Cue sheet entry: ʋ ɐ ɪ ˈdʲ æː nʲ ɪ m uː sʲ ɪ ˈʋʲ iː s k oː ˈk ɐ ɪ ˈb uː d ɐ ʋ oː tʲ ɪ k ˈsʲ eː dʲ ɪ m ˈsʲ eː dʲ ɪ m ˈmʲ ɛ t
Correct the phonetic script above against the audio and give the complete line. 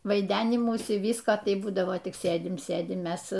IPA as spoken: ʋ ɐ ɪ ˈdʲ æː nʲ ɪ m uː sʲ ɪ ˈʋʲ iː s k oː ˈt ɐ ɪ ˈb uː d ɐ ʋ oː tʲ ɪ k ˈsʲ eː dʲ ɪ m ˈsʲ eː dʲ ɪ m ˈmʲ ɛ s